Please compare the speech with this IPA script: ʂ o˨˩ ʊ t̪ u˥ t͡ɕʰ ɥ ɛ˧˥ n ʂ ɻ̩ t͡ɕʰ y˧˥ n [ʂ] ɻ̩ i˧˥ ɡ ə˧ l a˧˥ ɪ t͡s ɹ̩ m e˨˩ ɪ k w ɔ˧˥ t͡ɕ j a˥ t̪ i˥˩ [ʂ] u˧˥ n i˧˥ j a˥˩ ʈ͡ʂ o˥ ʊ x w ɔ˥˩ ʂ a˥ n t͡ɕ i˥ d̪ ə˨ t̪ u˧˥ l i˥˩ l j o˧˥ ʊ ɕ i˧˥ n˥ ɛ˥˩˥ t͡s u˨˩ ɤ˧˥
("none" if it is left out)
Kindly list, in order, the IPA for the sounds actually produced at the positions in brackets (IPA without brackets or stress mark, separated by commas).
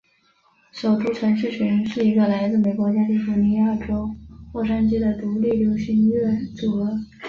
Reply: ʂ, f